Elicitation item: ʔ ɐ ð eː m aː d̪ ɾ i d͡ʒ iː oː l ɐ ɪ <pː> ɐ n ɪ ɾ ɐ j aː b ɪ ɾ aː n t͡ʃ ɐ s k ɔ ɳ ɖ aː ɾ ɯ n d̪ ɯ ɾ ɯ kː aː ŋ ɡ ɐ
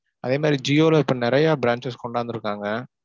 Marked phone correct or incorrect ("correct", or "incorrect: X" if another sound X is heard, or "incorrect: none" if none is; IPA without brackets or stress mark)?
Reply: correct